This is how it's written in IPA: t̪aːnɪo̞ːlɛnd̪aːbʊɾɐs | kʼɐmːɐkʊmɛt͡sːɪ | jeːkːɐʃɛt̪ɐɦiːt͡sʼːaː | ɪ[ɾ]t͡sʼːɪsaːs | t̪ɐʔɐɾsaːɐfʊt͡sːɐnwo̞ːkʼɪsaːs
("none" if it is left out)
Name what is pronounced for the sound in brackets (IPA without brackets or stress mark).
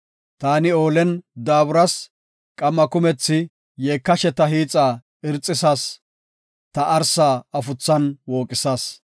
ɾ